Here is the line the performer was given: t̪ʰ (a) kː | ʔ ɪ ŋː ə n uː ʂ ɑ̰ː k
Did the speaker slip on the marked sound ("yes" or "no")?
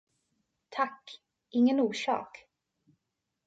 no